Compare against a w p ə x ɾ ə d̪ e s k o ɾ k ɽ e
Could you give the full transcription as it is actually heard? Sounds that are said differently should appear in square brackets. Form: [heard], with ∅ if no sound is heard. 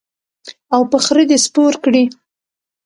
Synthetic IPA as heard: a w p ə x ɾ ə d̪ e s [p] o ɾ k ɽ [i]

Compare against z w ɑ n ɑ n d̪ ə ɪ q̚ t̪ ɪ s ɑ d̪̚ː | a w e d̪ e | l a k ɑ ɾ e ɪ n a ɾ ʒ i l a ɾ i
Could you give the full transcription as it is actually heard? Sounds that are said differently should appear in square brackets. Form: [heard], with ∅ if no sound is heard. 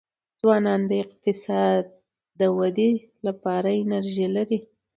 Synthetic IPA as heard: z w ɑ n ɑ n d̪ ə ɪ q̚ t̪ ɪ s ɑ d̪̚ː | [ə] w [a] d̪ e | l a [p] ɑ ɾ [a] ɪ n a ɾ ʒ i l a ɾ i

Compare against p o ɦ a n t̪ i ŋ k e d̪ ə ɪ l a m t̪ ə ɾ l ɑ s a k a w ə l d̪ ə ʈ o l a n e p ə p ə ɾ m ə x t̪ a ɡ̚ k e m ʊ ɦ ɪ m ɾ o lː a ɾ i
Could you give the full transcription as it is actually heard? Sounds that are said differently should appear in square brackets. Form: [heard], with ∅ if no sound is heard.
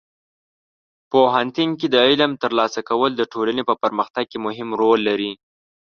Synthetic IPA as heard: p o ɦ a n t̪ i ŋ k e d̪ ə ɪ l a m t̪ ə ɾ l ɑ s a k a w ə l d̪ ə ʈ o l a n e p ə p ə ɾ m ə x t̪ a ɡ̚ k e m ʊ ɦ ɪ m ɾ o lː a ɾ i

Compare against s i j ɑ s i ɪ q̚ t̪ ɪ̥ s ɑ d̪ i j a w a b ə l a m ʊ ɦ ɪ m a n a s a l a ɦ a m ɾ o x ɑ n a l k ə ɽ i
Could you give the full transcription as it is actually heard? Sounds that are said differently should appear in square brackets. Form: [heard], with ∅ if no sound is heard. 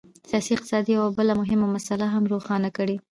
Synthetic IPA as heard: s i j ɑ s i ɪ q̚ t̪ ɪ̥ s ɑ d̪ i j a w a b ə l a m ʊ ɦ ɪ m a [m] a s a l a ɦ a m ɾ o x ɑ n a [∅] k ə ɽ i

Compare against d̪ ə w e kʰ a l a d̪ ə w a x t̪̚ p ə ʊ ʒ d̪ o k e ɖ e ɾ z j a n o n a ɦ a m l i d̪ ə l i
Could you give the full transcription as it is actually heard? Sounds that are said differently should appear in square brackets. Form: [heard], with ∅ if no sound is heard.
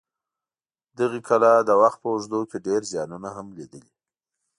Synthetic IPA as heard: d̪ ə [ɣ] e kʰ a l a d̪ ə w a x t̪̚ p ə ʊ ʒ d̪ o k e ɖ e ɾ z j [ɑ] n [u] n a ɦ a m l i d̪ ə l i

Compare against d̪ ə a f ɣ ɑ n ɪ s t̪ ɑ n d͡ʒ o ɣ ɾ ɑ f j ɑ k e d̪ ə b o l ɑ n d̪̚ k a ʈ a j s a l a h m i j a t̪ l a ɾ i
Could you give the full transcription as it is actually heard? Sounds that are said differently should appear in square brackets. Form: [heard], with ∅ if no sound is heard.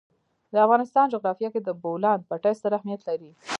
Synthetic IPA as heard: d̪ ə a f ɣ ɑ n ɪ s t̪ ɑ n d͡ʒ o ɣ ɾ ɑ f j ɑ k e d̪ ə b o l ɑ n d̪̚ [p] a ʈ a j s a [ɾ] a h m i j a t̪ l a ɾ i

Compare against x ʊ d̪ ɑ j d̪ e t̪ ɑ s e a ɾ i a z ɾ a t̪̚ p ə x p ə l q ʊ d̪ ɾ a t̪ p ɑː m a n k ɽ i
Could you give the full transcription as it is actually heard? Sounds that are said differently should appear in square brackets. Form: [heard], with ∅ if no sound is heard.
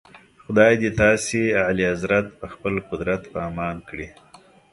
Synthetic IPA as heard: x ʊ d̪ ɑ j d̪ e t̪ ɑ s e a [l] i a z ɾ a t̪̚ p ə x p ə l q ʊ d̪ ɾ a t̪ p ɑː m [ɑ] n k ɽ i

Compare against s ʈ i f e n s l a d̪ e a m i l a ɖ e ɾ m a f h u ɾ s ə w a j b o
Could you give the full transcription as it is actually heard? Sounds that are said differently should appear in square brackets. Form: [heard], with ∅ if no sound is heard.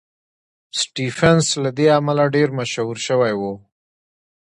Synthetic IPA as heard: s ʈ i f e n s l a d̪ e a m [a] l a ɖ e ɾ m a [ʃ] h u ɾ [ʃ] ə w a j [w] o

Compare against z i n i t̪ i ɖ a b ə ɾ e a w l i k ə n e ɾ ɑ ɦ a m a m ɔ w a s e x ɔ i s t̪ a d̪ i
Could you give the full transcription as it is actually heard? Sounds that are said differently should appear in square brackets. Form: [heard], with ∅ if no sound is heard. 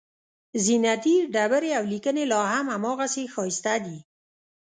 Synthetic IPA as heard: z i n [a] t̪ i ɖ a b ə ɾ e a w l i k ə n e [l] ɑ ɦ a m a m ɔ [ɣ] a s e x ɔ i s t̪ a d̪ i

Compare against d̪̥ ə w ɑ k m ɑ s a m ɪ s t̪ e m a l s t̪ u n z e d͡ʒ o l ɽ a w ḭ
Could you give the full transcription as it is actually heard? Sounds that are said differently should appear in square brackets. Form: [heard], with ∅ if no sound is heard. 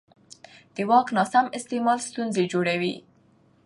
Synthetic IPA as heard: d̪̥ ə w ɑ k [n] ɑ s a m ɪ s t̪ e m [ɑ] l s t̪ u n z e d͡ʒ o [∅] ɽ a w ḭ

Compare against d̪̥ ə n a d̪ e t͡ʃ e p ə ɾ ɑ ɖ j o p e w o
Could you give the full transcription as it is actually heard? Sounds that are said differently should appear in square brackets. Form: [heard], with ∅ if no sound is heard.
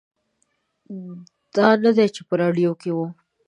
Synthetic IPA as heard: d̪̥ [ɑ] n a d̪ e t͡ʃ e p ə ɾ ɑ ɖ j o [k] e w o

